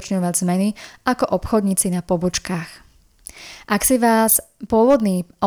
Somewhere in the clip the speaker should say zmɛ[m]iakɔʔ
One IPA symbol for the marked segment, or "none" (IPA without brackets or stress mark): n